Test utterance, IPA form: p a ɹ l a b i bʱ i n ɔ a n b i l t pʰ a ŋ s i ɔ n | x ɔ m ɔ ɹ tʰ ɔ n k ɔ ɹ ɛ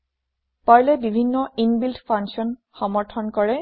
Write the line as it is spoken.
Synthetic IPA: p a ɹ l ɛ b i bʱ i nː ɔ i n b i l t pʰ a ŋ s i ɔ n | x ɔ m ɔ ɹ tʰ ɔ n k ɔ ɹ ɛ